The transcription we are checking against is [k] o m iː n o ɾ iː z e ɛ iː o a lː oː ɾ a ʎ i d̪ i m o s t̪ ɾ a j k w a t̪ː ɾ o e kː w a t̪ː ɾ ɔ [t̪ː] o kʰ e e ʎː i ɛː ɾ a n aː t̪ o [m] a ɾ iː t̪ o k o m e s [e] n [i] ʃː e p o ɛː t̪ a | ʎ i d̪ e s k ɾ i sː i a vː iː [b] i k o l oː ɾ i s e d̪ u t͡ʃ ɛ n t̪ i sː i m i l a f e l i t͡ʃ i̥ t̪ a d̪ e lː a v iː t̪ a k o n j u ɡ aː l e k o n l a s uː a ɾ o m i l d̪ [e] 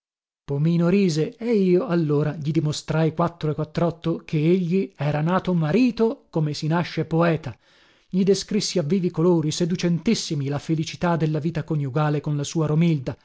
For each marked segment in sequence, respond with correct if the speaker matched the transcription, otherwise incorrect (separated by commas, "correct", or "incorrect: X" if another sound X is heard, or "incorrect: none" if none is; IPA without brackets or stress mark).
incorrect: p, correct, correct, incorrect: i, incorrect: a, incorrect: v, incorrect: a